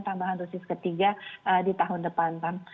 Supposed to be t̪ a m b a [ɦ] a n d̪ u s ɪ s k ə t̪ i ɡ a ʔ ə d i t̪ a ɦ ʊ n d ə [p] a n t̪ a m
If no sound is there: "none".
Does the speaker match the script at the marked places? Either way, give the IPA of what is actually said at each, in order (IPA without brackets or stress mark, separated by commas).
ɦ, p